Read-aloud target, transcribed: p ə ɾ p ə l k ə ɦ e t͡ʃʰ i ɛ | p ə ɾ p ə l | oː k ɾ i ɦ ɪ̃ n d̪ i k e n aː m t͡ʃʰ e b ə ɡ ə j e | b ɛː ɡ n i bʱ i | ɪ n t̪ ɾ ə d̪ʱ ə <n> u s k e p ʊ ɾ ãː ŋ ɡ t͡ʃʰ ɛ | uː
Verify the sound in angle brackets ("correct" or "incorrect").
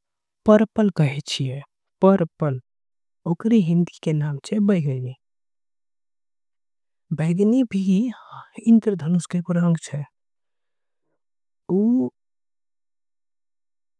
correct